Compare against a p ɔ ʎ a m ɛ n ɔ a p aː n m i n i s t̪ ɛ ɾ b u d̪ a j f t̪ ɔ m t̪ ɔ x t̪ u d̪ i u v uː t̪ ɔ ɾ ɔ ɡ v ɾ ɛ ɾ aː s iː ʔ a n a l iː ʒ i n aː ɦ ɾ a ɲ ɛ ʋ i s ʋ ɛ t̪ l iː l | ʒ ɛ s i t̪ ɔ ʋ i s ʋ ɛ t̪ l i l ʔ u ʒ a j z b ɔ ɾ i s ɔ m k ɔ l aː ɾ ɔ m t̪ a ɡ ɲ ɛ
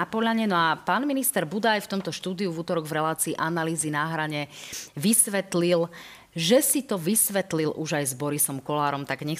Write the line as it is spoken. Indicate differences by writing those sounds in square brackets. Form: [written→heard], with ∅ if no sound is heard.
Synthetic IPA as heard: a p ɔ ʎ a [m→ɲ] ɛ n ɔ a p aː n m i n i s t̪ ɛ ɾ b u d̪ a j f t̪ ɔ m t̪ ɔ [x→ʃ] t̪ [u→uː] d̪ i u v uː t̪ ɔ ɾ ɔ ɡ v ɾ ɛ [ɾ→l] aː [s→t͡s] iː ʔ a n a l iː [ʒ→z] i n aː ɦ ɾ a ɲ ɛ ʋ i s ʋ ɛ t̪ l [iː→i] l | ʒ ɛ s i t̪ ɔ ʋ i s ʋ ɛ t̪ l i l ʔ u ʒ a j z b ɔ ɾ i s ɔ m k ɔ l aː ɾ ɔ m t̪ a ɡ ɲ ɛ